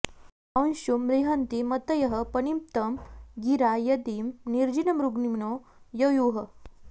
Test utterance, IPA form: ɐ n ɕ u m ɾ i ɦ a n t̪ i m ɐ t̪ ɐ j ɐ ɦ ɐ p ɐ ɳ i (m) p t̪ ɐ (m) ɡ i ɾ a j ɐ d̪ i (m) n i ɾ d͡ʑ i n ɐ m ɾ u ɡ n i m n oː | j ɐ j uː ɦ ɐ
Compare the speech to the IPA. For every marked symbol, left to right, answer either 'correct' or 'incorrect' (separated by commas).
correct, correct, correct